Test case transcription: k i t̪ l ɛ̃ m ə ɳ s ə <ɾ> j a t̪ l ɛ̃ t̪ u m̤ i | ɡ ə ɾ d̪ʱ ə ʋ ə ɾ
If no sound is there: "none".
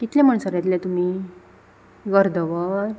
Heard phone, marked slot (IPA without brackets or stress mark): ɾ